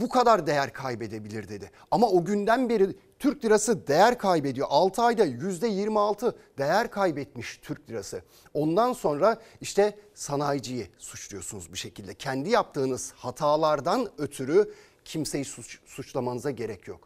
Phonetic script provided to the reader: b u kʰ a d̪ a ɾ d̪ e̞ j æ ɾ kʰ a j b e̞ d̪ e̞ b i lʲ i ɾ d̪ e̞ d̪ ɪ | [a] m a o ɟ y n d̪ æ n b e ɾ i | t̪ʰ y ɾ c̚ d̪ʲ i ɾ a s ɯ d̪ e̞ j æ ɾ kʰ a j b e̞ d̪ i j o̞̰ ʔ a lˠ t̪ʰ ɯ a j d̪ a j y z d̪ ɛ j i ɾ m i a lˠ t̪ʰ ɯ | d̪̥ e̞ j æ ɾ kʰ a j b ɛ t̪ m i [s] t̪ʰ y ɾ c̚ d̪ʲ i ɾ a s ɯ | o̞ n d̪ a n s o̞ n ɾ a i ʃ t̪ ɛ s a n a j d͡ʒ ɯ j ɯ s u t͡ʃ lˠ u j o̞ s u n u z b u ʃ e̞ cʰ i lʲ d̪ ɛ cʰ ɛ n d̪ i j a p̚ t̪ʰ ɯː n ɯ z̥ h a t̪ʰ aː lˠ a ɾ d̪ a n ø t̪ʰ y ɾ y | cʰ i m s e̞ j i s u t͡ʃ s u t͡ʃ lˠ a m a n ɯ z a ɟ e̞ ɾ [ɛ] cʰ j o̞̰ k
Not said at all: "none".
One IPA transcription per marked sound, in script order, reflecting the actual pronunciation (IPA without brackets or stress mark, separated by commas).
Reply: a, ʃ, ɛ